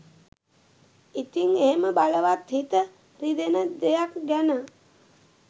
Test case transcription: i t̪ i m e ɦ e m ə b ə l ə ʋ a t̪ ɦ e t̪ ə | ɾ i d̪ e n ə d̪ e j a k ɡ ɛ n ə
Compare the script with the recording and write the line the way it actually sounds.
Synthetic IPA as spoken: i t̪ i ŋ e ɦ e m ə b a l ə ʋ a t̪ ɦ i t̪ ə | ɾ i d̪ e n ə d̪ e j a k ɡ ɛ n ə